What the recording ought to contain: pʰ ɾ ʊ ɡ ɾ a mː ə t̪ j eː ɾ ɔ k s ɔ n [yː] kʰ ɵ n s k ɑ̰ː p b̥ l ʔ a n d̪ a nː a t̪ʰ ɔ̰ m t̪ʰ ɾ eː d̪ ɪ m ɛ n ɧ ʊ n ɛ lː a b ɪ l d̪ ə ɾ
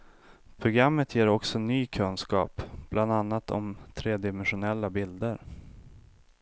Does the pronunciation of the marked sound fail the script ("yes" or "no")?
no